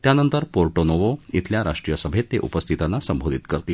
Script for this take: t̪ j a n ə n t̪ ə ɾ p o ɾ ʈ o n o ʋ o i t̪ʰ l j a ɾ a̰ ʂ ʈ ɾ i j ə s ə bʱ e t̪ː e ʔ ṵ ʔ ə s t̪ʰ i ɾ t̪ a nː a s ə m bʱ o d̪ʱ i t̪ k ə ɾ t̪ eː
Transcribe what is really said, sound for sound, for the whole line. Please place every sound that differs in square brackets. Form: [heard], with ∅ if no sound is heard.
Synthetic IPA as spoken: t̪ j a n ə n t̪ ə ɾ p o ɾ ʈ o n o ʋ o i t̪ʰ l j a ɾ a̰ ʂ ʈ ɾ i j ə s ə bʱ e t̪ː e ʔ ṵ [p] ə s t̪ʰ i [∅] t̪ a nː a s ə m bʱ o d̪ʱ i t̪ k ə ɾ t̪ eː